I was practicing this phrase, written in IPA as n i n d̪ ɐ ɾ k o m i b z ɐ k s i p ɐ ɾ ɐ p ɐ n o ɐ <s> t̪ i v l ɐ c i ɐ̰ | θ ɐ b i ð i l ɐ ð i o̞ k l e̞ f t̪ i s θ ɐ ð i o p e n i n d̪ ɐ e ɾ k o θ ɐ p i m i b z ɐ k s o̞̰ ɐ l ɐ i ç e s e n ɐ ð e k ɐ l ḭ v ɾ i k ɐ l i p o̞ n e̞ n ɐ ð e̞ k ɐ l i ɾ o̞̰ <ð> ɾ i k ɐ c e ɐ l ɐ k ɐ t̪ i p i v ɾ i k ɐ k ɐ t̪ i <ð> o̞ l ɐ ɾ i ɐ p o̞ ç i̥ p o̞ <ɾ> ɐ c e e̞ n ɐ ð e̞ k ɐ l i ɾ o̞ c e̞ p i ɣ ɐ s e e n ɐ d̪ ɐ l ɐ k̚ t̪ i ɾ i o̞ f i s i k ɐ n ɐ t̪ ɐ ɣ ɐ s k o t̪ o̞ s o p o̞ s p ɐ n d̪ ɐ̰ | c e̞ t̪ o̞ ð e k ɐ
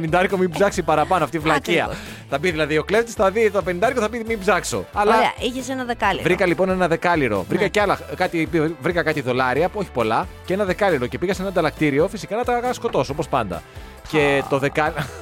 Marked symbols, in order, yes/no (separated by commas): no, no, yes, no